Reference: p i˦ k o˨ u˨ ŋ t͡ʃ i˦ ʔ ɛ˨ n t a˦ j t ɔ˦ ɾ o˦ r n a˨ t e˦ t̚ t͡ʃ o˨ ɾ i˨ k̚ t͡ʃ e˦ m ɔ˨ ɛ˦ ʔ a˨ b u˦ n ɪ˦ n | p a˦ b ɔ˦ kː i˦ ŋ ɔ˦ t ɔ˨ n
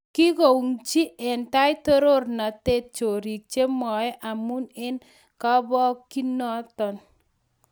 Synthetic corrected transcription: k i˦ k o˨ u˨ ŋ t͡ʃ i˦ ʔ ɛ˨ n t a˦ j t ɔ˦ ɾ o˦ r n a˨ t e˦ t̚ t͡ʃ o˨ ɾ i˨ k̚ t͡ʃ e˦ m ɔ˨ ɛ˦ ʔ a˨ m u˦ n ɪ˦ n | k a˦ b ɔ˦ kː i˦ n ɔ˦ t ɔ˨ n